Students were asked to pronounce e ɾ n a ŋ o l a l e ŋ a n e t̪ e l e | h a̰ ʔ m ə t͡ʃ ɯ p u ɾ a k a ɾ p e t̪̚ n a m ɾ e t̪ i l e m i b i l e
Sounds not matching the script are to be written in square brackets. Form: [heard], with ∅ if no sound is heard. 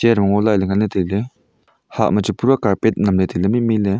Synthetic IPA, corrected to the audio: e ɾ [m] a ŋ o l a l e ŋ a n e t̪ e l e | h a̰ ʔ m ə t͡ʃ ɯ p u ɾ a k a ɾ p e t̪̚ n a m [l] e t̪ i l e m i [m] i l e